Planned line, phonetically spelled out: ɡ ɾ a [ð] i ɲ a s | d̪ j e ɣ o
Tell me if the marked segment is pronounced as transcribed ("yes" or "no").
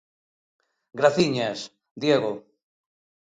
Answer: no